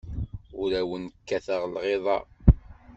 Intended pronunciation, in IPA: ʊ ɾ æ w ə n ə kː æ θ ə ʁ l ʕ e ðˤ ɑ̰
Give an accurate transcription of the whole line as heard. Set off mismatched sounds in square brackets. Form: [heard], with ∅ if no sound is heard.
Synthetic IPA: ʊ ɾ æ w ə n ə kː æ θ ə ʁ l [ʁ] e ðˤ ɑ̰

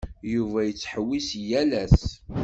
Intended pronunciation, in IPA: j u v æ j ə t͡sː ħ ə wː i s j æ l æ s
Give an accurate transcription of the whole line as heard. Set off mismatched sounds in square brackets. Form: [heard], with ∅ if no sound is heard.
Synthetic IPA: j u v æ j ə t͡sː ħ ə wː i s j æ l æ s

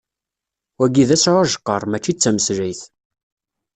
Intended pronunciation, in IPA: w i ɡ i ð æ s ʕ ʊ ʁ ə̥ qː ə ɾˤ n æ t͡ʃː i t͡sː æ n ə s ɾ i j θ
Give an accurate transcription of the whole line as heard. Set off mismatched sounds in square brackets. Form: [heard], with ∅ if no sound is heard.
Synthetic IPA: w [æ] ɡ i ð æ s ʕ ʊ [ʒ] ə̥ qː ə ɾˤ [m] æ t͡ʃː i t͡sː æ [m] ə s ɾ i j θ

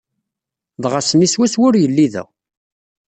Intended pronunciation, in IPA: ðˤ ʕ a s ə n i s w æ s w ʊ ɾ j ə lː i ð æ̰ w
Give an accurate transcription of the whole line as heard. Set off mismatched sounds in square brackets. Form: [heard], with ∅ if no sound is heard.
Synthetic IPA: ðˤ [ʁ] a s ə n i s w æ s w ʊ ɾ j ə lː i ð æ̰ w

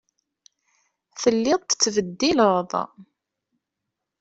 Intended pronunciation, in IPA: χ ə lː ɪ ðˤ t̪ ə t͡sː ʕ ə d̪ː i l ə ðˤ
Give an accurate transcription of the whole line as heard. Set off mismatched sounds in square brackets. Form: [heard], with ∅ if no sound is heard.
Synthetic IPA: [θ] ə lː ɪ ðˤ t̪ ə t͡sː [v] ə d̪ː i l ə ðˤ

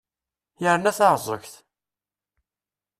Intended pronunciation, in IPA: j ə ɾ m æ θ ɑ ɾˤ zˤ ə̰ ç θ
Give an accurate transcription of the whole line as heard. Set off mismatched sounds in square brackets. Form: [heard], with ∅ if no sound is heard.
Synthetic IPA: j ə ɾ [n] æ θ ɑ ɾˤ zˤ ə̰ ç θ

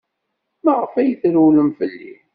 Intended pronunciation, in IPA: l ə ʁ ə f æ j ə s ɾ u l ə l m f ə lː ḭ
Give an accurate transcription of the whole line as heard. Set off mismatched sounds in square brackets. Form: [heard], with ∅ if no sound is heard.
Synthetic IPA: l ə ʁ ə f æ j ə [θ] ɾ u l ə [∅] m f ə lː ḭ

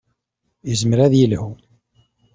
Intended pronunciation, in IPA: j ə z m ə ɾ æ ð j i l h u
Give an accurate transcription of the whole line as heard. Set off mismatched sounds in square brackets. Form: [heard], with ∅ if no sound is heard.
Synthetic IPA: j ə z m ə ɾ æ ð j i l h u

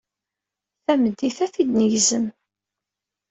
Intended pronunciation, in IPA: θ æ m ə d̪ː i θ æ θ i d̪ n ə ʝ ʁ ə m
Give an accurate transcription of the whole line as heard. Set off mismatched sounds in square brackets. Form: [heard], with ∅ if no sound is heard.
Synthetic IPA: θ æ m ə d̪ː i θ æ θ i d̪ n ə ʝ [z] ə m

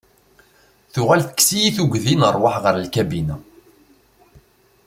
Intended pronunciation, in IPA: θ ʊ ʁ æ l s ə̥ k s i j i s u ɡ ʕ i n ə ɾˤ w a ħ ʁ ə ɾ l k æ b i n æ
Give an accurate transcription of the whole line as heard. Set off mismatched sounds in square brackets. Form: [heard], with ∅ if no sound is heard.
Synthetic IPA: θ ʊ ʁ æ l [θ] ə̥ k s i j i [θ] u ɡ [ð] i n ə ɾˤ w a ħ ʁ ə ɾ l k æ b i n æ

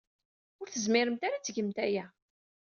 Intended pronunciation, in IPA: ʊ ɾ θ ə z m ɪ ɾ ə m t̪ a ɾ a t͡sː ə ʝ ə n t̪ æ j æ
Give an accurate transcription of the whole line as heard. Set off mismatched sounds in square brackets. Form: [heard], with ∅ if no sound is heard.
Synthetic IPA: ʊ ɾ θ ə z m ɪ ɾ ə m t̪ a ɾ a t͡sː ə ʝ ə [m] t̪ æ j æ

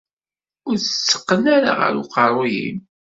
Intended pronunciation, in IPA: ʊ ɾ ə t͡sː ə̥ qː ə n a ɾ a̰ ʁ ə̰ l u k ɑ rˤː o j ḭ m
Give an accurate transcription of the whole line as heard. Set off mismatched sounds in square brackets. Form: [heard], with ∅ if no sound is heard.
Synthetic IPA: ʊ ɾ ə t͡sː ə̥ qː ə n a ɾ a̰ ʁ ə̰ [ɾ] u [q] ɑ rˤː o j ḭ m

